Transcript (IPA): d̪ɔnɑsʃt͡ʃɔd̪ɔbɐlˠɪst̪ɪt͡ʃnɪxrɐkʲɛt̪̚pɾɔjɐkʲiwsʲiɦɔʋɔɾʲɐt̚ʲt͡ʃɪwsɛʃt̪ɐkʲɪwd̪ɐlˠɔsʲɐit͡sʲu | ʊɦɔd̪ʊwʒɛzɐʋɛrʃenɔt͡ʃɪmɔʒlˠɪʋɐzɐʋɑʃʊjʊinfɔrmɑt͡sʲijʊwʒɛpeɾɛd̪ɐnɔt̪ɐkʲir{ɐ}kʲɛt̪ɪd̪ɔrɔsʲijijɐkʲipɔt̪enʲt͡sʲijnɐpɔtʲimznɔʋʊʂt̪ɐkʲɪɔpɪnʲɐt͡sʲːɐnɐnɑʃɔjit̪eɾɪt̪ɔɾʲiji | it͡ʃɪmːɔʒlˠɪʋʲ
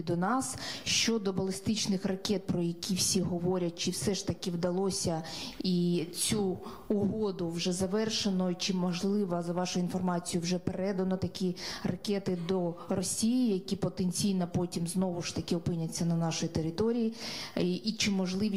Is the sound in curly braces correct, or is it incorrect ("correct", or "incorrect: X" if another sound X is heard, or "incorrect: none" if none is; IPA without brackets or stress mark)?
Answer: correct